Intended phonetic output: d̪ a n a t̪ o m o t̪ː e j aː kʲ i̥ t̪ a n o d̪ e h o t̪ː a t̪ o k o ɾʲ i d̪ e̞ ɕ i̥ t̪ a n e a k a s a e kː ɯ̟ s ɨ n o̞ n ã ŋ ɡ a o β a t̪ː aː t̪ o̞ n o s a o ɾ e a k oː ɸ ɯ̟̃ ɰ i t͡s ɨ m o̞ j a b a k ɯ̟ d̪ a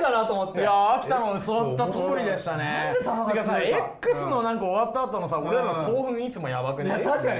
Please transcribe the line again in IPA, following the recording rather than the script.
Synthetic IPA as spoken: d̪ a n a t̪ o m o t̪ː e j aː kʲ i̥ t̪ a n o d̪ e s o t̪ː a t̪ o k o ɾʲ i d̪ e̞ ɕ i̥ t̪ a n e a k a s a e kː ɯ̟ s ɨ n o̞ n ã ŋ k a o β a t̪ː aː t̪ o̞ n o s a o ɾ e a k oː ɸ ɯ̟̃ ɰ i t͡s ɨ m o̞ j a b a k ɯ̟ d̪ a